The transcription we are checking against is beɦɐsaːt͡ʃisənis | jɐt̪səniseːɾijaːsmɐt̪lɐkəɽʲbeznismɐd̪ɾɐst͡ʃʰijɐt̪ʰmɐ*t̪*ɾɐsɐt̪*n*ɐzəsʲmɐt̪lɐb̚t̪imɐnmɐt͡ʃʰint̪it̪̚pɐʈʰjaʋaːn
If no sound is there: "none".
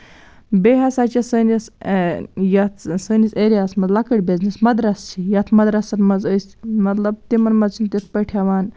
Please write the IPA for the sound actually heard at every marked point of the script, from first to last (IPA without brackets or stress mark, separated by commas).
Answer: d̪, m